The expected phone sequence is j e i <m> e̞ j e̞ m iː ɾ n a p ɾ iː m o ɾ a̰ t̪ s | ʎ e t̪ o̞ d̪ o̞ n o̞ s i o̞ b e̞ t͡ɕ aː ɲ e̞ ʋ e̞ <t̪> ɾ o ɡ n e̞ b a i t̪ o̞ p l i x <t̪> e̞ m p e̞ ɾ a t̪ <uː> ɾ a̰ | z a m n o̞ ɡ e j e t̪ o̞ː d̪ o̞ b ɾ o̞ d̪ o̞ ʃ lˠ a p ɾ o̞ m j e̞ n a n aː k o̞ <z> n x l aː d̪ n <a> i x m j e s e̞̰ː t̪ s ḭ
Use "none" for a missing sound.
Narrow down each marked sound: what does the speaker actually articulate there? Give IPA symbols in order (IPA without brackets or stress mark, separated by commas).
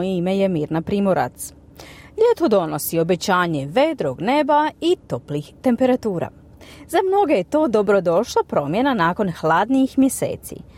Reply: m, d̪, t̪, uː, none, i